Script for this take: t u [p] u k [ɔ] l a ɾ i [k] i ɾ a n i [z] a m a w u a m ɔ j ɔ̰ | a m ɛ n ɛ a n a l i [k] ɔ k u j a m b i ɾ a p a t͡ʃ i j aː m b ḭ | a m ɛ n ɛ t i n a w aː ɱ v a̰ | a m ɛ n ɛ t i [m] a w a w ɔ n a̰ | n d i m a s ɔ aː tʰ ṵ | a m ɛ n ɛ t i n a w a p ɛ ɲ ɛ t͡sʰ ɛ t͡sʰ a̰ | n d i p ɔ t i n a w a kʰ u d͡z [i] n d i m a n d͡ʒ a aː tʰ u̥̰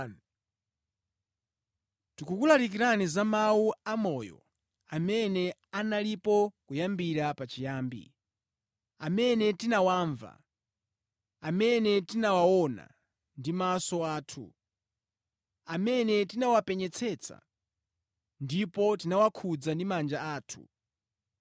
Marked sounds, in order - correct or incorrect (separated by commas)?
incorrect, incorrect, correct, correct, incorrect, incorrect, incorrect